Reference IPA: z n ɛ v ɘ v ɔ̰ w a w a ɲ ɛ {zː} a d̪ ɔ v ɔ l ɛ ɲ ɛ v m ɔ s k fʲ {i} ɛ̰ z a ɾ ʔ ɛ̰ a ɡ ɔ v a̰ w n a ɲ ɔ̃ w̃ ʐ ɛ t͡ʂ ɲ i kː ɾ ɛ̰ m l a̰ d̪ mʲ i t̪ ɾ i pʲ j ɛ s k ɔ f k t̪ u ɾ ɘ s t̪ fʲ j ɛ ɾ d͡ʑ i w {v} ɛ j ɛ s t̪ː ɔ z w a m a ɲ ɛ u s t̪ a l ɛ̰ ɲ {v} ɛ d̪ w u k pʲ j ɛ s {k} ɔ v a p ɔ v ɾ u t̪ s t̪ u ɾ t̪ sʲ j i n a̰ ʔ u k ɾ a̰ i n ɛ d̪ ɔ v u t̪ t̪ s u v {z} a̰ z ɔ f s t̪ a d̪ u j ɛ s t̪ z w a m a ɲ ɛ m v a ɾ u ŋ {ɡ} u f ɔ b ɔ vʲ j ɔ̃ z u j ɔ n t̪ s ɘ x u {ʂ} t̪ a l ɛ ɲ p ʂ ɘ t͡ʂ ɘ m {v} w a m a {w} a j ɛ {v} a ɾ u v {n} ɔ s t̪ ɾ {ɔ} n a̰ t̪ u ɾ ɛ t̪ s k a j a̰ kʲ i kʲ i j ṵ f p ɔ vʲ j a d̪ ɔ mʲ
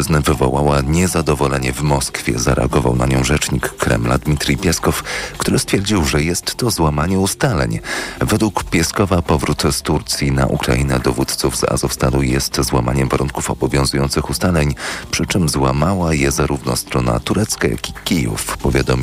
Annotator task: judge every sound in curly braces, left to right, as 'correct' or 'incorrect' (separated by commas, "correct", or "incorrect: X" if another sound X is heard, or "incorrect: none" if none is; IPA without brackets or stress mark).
incorrect: z, incorrect: j, incorrect: ʐ, correct, correct, correct, incorrect: k, incorrect: s, incorrect: z, correct, incorrect: z, correct, correct